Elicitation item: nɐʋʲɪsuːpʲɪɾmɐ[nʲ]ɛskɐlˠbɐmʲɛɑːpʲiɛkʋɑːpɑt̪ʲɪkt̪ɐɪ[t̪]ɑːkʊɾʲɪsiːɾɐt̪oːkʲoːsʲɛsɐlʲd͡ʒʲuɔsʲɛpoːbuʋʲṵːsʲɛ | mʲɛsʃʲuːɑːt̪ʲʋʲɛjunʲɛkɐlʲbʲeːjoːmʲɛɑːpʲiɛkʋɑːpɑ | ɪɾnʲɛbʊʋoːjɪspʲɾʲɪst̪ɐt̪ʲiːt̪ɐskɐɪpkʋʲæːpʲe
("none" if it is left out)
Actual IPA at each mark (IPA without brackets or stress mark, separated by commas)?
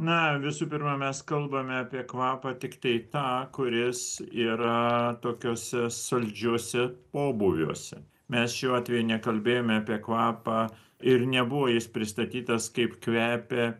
mʲ, t̪